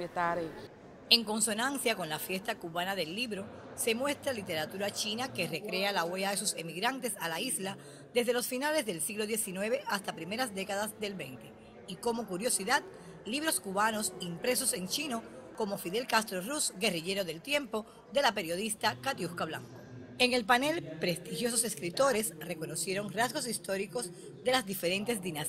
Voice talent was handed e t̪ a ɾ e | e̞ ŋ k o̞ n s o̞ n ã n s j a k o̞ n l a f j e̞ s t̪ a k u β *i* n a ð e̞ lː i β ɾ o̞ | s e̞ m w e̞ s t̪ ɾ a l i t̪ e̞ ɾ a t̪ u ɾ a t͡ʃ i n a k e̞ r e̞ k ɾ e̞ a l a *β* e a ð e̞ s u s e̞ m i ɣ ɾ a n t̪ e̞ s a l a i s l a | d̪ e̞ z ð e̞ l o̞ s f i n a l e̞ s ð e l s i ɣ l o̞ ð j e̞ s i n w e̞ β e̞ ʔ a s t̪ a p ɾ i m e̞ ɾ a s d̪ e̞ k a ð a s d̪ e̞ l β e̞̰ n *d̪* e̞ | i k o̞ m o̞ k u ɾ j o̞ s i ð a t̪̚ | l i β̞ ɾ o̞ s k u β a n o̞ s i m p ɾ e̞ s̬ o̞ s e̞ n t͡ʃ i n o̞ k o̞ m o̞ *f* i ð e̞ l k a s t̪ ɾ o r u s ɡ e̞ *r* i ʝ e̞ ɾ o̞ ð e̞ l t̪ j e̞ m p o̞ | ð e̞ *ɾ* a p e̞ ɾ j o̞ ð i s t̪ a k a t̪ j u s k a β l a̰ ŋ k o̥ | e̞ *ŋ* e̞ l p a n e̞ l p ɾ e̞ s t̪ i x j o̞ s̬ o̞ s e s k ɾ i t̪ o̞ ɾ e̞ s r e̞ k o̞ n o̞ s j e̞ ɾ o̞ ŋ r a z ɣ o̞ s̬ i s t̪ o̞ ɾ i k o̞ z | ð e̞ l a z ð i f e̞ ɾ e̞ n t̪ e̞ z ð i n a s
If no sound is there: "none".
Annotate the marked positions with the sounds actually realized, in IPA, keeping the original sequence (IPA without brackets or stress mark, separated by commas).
a, w, t̪, f, r, l, ŋ